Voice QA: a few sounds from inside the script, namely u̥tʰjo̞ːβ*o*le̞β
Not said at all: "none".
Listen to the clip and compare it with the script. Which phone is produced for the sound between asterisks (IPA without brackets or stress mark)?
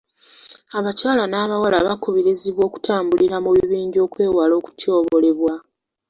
o